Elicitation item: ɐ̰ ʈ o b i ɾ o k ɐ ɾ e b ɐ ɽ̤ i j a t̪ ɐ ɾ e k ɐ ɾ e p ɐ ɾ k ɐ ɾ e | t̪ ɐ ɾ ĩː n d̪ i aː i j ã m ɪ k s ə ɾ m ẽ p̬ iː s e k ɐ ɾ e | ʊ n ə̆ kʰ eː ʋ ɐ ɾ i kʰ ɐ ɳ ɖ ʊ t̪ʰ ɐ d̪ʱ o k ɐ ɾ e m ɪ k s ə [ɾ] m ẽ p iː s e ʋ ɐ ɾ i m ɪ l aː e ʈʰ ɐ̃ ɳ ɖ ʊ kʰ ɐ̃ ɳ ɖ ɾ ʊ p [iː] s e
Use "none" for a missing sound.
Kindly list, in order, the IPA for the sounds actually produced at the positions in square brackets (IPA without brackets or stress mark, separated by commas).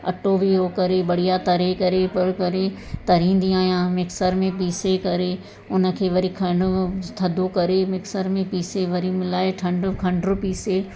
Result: ɾ, iː